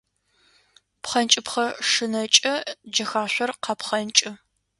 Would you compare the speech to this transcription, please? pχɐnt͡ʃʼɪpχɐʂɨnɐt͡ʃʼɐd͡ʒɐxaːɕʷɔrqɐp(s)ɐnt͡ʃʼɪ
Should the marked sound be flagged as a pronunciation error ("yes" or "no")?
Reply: yes